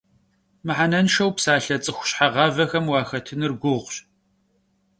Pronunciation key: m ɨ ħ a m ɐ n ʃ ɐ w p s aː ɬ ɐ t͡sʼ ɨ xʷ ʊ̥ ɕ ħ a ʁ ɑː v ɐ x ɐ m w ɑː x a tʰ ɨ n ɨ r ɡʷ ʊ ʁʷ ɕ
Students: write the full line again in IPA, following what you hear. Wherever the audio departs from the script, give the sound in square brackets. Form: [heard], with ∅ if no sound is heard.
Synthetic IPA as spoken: m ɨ ħ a [n] ɐ n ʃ ɐ w p s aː ɬ ɐ t͡sʼ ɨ xʷ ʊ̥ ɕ ħ a ʁ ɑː v ɐ x ɐ m w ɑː x [ɐ] tʰ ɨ n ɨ r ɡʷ ʊ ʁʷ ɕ